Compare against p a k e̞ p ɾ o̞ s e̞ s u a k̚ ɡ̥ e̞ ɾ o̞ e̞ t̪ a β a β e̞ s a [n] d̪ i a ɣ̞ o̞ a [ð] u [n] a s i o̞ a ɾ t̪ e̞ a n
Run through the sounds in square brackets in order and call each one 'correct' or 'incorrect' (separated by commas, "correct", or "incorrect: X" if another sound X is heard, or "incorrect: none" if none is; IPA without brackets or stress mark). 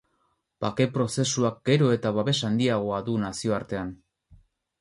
correct, correct, correct